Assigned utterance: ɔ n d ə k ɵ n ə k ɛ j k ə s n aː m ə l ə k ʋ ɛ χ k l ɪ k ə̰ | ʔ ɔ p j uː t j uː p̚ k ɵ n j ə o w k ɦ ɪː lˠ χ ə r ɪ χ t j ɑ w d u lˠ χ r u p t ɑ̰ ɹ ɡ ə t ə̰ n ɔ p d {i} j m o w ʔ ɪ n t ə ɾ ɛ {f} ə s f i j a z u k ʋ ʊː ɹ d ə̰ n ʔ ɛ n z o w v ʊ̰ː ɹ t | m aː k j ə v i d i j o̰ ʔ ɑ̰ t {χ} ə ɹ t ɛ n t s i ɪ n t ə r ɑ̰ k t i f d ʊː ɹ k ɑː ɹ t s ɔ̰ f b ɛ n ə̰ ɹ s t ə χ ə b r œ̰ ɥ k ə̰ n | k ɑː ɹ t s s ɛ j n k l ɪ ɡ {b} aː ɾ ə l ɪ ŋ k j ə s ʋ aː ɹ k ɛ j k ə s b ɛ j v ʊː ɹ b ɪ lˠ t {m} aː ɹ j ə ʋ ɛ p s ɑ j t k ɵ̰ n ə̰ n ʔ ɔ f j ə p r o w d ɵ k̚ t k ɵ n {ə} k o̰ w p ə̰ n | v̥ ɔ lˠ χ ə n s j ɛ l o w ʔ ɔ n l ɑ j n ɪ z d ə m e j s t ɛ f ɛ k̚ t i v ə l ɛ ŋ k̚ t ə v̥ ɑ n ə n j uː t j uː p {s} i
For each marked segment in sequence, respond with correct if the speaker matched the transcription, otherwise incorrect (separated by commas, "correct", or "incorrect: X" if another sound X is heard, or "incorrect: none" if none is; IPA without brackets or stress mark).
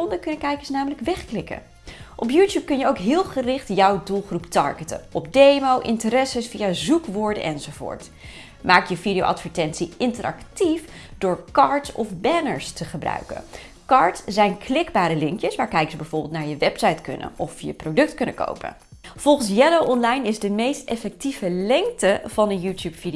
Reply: incorrect: e, incorrect: s, incorrect: f, correct, incorrect: n, correct, incorrect: f